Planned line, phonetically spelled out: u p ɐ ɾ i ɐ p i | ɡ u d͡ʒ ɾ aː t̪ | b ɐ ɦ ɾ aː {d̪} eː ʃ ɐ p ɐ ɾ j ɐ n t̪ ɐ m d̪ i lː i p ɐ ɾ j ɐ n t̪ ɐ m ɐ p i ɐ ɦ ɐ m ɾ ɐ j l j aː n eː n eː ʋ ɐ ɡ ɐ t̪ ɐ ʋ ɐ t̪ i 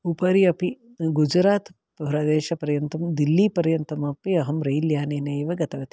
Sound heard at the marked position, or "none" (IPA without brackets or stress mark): d̪